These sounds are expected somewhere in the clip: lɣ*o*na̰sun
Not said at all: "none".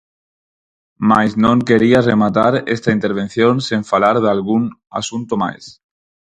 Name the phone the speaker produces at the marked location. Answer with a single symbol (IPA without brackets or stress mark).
u